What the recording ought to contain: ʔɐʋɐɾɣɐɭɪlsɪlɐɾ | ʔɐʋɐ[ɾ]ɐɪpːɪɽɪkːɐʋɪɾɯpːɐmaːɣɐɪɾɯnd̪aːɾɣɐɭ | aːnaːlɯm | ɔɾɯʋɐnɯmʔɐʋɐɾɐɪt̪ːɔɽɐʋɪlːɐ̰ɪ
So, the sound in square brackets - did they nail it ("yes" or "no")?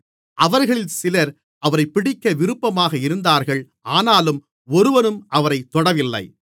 yes